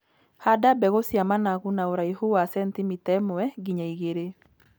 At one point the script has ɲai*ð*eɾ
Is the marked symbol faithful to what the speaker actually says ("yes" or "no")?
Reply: no